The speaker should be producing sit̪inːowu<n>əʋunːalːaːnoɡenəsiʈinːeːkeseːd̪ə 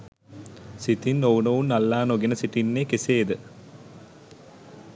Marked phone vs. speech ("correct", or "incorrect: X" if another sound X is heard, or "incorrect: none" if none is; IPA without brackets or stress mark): correct